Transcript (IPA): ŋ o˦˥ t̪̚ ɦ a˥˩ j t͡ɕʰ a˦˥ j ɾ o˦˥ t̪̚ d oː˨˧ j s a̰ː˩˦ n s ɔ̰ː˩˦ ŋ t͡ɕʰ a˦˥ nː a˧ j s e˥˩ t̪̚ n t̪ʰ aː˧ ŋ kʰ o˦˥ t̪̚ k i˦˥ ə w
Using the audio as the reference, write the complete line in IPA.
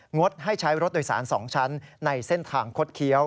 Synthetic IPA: ŋ o˦˥ t̪̚ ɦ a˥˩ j t͡ɕʰ a˦˥ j ɾ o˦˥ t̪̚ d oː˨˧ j s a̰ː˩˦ n s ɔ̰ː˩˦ ŋ t͡ɕʰ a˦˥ nː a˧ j s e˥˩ n t̪ʰ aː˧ ŋ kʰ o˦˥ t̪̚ kʰ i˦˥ ə w